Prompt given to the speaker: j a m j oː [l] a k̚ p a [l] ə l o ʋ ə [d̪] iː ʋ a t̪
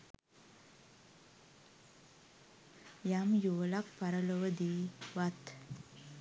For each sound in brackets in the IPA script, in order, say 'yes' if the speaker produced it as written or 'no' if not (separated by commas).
yes, no, yes